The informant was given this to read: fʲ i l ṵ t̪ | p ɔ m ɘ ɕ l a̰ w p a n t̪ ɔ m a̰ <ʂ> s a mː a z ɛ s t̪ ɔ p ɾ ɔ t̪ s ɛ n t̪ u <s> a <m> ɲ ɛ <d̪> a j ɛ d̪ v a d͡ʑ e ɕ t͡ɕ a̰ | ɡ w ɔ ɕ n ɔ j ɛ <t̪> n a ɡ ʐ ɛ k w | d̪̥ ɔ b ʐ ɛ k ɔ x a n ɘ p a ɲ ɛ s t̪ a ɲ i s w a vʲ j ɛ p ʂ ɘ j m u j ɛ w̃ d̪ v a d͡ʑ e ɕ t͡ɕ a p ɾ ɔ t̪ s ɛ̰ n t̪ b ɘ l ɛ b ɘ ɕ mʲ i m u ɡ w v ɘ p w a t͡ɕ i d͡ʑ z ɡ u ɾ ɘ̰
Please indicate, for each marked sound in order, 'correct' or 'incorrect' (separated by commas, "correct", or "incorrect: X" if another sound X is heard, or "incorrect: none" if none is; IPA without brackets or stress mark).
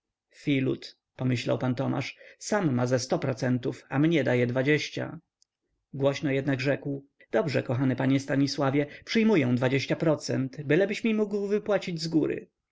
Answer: correct, incorrect: f, correct, correct, incorrect: d̪